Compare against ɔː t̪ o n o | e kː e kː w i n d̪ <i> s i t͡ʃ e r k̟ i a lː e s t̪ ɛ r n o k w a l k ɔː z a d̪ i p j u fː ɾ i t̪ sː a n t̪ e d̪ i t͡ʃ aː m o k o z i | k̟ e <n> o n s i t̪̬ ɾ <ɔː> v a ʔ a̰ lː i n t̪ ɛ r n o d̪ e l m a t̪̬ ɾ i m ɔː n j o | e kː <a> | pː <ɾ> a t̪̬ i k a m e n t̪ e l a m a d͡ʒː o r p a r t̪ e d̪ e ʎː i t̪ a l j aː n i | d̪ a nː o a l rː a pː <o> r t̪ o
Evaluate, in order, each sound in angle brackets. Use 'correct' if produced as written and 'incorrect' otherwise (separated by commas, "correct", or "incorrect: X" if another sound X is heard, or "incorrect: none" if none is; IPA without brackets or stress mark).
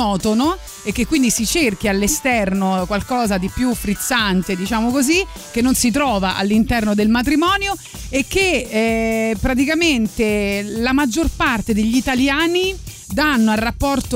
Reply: correct, incorrect: nː, correct, incorrect: e, correct, incorrect: ɔ